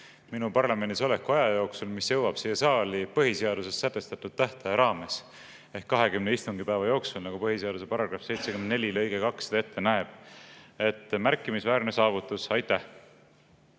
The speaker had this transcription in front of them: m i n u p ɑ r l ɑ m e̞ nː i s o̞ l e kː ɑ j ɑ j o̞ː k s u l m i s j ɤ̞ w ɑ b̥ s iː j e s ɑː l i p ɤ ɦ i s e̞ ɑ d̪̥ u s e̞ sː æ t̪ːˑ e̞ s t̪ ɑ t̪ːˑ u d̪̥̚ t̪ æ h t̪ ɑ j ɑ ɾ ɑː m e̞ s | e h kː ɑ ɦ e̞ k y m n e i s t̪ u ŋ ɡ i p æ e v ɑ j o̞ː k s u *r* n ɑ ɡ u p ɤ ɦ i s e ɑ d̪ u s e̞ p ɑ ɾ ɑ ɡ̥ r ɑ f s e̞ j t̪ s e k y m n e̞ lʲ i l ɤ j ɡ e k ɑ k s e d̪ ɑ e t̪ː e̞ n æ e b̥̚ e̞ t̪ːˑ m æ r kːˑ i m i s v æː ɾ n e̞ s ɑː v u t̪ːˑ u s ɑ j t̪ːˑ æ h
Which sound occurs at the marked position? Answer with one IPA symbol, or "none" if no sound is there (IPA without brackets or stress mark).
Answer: l